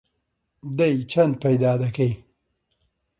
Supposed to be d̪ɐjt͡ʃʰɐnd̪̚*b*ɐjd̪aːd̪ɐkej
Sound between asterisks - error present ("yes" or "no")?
yes